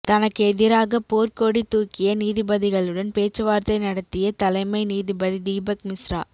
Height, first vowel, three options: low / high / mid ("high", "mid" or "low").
low